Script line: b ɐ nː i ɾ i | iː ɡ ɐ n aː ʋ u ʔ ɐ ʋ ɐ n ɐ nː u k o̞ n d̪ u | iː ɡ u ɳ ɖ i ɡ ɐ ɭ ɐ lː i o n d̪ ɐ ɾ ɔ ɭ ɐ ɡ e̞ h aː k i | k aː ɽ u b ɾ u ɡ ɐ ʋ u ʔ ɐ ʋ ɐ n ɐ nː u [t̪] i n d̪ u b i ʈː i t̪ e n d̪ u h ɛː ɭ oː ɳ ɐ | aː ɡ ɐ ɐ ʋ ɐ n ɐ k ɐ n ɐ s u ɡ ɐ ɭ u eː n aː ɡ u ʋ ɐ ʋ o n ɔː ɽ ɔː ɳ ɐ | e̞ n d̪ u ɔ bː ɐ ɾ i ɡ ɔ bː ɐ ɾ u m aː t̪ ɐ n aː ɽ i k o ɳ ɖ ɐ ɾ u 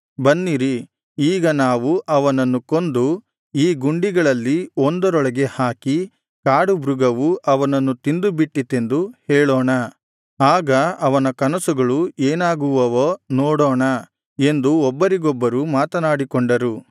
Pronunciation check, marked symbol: correct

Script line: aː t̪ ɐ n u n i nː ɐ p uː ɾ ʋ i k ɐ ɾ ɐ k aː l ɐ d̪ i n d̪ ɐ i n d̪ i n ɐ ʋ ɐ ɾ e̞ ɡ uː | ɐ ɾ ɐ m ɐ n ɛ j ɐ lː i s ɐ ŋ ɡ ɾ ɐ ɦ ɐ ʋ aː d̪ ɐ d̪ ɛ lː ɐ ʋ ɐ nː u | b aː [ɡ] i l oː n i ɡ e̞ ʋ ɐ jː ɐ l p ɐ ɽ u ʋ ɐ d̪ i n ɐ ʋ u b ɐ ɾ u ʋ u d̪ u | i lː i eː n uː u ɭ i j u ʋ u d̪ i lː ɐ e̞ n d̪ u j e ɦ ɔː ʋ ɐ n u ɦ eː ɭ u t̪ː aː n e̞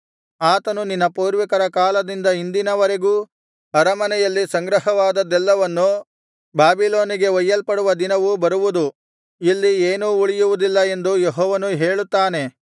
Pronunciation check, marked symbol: incorrect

